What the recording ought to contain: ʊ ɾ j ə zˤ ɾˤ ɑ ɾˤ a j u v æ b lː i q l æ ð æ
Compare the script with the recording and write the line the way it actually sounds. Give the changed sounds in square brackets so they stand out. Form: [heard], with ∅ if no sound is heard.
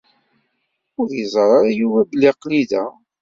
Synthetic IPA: ʊ ɾ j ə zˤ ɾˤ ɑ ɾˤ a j u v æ b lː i q l [i] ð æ